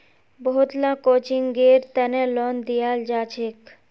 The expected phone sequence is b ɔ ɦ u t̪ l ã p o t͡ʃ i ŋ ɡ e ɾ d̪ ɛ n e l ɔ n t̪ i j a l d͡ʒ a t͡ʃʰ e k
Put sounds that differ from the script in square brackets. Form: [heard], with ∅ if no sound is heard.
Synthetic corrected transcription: b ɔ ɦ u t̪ l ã [k] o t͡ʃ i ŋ ɡ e ɾ [t̪] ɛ n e l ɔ n [d̪] i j a l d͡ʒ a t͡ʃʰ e k